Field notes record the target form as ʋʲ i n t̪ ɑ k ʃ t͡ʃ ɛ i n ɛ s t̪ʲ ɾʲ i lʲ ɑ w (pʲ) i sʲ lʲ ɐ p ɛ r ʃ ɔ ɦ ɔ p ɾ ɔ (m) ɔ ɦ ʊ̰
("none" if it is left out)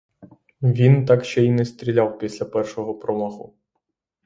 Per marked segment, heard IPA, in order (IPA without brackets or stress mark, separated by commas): pʲ, m